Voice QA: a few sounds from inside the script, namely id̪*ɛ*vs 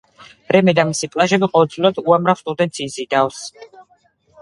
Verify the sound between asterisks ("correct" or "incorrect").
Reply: incorrect